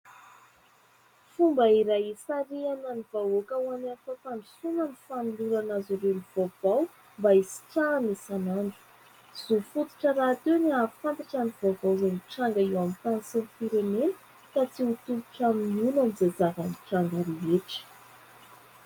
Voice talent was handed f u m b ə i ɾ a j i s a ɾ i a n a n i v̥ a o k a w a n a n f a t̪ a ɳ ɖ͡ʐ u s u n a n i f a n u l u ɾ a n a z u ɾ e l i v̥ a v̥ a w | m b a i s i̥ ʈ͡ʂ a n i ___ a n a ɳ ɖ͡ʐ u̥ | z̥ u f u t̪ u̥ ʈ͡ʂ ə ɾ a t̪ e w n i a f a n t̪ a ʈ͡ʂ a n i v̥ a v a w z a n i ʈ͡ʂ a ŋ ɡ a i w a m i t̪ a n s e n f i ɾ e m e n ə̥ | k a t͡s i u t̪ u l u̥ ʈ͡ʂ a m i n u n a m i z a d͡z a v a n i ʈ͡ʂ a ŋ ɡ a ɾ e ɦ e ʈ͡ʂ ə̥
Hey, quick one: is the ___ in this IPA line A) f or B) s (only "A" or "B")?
B